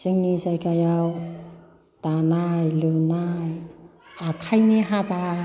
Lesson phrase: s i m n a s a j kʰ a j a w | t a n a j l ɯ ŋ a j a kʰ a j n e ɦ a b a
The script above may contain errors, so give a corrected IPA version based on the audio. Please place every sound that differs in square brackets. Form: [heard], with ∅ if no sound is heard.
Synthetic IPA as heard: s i [ŋ] n [i] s a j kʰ a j a w | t a n a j l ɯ [n] a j a kʰ a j n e ɦ a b a